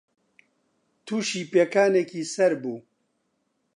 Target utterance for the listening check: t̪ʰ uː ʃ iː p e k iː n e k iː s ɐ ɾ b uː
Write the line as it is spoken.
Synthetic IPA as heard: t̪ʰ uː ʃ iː p e k aː n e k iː s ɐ ɾ b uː